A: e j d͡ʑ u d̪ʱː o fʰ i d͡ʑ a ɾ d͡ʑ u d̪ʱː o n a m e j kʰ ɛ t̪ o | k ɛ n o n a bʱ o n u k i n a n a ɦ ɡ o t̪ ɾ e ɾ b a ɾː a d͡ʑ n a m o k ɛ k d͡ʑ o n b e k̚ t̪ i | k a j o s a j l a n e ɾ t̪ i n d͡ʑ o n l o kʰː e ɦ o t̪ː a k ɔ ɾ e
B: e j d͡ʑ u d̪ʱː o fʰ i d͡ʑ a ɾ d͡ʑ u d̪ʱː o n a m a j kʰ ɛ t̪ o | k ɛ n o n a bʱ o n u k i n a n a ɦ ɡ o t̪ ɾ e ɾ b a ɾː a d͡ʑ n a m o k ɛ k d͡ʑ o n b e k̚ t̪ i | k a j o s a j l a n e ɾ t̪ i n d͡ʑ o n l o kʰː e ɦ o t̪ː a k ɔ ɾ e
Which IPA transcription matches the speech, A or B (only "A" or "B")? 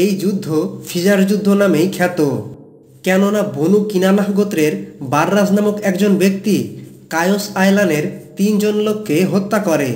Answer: A